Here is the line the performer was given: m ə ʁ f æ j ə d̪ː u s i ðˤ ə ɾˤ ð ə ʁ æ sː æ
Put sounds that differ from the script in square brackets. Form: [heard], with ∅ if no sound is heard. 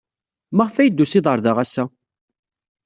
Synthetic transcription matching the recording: m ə ʁ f æ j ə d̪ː u s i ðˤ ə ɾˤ ð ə ʁ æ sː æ